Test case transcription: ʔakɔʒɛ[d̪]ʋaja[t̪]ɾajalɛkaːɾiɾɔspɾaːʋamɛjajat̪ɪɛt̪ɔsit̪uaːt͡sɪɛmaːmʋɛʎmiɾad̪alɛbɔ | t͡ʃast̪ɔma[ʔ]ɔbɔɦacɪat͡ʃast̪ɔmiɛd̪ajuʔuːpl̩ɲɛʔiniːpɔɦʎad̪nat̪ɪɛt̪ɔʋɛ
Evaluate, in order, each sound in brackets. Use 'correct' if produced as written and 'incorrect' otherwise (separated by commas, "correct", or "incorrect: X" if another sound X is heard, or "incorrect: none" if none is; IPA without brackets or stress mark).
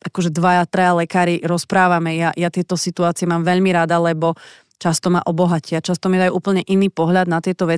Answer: correct, correct, correct